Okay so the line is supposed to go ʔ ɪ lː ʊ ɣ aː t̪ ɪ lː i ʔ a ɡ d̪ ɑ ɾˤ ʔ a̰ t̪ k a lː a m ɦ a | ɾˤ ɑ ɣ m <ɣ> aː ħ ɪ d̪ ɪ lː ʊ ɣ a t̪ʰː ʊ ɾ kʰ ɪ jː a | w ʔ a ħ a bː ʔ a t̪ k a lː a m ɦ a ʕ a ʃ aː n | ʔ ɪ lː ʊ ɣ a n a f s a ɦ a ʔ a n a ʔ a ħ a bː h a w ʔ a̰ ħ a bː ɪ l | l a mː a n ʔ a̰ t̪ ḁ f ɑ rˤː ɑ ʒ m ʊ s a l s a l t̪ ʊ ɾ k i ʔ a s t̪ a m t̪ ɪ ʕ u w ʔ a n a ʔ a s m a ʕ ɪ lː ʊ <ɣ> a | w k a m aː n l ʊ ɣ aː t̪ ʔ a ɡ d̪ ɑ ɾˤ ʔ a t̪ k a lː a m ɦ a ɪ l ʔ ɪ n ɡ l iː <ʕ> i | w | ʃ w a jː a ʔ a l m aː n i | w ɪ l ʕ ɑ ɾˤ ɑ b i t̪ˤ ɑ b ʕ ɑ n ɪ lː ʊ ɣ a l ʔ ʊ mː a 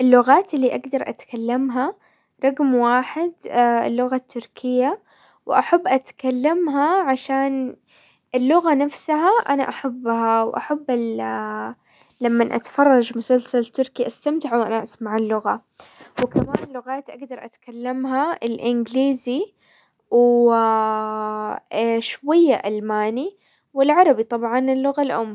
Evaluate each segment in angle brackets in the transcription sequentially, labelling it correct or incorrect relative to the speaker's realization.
incorrect: w, correct, incorrect: z

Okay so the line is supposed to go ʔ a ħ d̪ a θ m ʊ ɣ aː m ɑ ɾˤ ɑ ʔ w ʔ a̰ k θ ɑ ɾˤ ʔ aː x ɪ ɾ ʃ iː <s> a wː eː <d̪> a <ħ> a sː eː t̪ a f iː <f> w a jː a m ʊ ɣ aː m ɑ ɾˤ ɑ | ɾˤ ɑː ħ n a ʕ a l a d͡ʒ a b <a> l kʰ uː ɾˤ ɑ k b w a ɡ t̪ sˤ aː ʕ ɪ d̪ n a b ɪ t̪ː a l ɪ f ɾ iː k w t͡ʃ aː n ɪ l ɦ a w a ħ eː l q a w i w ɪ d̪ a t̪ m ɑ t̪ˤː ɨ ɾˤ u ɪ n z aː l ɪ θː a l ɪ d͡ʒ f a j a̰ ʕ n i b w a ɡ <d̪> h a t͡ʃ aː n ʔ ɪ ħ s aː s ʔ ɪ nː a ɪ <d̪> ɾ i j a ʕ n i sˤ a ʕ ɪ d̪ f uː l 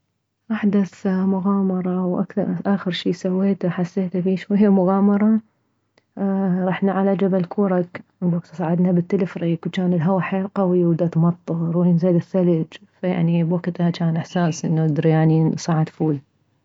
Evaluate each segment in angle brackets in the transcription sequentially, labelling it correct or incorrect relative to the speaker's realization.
correct, incorrect: t̪, correct, incorrect: ʃ, correct, incorrect: t̪, correct

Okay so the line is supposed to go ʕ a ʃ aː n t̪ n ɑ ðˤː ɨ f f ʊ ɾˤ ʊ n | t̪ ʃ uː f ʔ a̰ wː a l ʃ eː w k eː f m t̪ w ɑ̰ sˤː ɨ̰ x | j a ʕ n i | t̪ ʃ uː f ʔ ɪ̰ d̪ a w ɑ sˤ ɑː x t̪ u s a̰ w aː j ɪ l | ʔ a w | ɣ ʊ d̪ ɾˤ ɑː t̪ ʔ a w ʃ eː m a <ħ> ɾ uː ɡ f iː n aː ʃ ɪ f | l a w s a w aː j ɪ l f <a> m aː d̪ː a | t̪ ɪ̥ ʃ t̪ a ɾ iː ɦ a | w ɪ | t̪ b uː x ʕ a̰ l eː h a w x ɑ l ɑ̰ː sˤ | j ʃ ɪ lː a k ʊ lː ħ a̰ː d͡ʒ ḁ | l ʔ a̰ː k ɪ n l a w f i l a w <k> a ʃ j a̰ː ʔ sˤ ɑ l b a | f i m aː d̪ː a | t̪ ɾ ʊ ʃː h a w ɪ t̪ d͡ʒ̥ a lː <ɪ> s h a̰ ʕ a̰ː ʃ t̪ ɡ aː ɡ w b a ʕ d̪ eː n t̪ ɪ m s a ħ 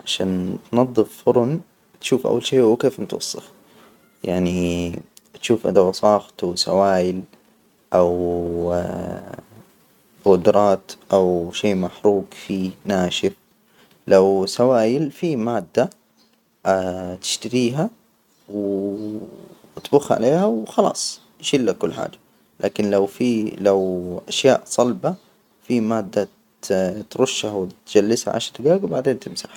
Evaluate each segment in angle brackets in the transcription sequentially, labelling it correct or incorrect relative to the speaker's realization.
correct, incorrect: i, incorrect: ʔ, correct

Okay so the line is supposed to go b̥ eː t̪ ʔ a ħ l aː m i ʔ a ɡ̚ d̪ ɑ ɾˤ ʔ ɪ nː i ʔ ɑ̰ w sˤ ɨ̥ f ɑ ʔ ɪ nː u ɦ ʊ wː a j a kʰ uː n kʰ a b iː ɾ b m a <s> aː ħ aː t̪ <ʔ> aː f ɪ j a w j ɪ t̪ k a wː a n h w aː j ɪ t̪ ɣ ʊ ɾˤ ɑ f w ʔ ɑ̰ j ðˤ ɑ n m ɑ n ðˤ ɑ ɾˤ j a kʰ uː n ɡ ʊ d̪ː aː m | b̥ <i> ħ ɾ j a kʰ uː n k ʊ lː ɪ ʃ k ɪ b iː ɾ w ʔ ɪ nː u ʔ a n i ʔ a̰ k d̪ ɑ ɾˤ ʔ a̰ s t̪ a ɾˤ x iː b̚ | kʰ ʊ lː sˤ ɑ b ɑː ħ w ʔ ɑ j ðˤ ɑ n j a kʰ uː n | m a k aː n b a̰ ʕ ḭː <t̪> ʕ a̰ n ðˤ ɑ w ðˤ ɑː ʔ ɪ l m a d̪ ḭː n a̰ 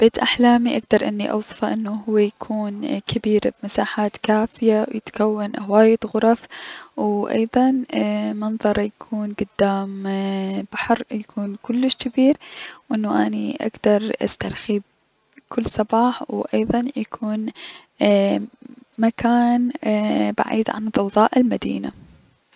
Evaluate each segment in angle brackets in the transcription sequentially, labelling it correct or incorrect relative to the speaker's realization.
correct, incorrect: k, incorrect: a, incorrect: d̪

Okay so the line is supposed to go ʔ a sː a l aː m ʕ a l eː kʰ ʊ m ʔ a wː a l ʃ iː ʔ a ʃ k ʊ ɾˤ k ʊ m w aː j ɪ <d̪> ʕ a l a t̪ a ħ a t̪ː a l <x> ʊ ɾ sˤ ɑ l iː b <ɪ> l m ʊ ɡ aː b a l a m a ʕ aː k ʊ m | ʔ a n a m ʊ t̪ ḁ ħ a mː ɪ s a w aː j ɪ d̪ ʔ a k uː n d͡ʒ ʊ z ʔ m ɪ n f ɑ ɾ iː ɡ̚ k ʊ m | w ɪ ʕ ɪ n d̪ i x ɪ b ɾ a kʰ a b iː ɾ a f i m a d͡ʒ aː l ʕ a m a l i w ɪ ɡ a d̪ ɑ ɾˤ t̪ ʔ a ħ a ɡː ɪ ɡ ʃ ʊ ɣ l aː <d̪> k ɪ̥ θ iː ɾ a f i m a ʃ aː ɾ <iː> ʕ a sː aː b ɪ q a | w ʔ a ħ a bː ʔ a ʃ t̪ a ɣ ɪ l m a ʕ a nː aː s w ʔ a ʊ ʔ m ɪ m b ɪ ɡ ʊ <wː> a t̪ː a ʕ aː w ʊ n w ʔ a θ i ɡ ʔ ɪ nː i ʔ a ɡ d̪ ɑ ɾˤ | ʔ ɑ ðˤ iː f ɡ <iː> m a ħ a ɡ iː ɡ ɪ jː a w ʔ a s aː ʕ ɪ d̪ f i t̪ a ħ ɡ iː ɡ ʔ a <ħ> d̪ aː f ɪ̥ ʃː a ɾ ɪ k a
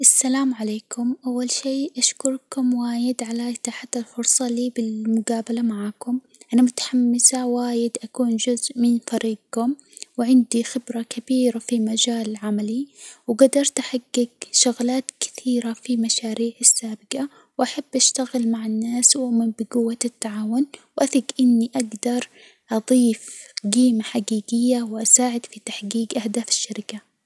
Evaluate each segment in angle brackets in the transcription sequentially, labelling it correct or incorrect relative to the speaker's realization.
correct, incorrect: f, correct, incorrect: t̪, correct, correct, correct, incorrect: h

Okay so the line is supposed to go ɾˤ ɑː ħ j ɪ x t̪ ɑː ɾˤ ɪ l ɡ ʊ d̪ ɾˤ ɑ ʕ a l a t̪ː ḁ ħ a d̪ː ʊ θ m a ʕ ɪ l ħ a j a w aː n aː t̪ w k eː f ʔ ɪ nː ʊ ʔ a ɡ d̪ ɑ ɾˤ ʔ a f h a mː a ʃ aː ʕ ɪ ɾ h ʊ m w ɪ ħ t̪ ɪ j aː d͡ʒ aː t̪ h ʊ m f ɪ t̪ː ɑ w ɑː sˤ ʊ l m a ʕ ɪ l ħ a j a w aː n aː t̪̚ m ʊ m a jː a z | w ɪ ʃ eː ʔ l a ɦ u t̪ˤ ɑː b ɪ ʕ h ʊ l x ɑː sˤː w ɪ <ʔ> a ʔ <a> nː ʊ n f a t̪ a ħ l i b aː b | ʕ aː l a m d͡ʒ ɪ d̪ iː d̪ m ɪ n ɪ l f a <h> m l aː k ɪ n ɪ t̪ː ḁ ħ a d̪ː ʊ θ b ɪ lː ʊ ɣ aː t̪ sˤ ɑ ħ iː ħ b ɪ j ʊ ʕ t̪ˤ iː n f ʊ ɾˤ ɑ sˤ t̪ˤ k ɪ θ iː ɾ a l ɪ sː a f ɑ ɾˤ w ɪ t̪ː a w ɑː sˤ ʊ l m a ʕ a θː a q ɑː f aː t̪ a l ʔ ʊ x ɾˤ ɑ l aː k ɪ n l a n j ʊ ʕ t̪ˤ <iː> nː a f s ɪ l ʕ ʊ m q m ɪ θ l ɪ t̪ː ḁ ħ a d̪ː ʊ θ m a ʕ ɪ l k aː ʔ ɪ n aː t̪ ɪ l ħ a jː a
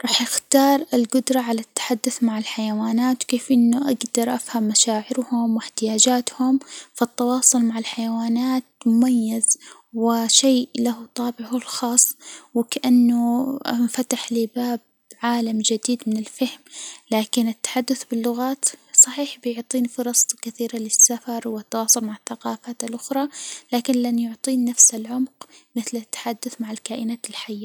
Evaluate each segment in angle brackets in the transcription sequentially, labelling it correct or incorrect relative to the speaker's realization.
incorrect: k, correct, correct, correct

